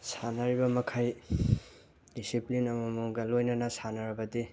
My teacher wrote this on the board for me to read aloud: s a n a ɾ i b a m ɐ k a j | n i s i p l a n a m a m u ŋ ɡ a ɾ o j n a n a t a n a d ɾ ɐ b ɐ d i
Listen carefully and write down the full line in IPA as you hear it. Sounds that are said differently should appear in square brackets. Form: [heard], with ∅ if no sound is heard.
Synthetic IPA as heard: s a n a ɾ i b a m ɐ [kʰ] a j | [d] i s i p l [i] n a m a m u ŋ ɡ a [l] o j n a n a [s] a n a [∅] ɾ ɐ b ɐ d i